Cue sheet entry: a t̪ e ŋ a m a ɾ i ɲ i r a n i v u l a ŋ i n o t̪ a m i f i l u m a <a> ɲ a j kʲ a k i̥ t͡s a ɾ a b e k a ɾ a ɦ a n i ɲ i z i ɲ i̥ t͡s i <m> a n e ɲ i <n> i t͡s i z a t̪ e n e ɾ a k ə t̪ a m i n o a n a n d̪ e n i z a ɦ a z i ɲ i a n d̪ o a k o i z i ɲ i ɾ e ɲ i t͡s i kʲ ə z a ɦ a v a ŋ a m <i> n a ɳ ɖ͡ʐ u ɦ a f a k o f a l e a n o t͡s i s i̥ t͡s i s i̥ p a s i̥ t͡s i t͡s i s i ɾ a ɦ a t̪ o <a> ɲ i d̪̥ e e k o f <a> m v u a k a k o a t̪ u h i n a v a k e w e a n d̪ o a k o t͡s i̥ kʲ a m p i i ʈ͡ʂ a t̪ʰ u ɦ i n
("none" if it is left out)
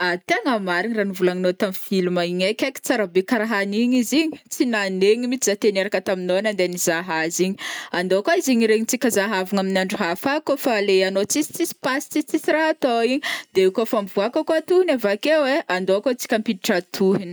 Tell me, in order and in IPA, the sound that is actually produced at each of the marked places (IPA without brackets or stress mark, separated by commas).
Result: i, n, m, i, i, a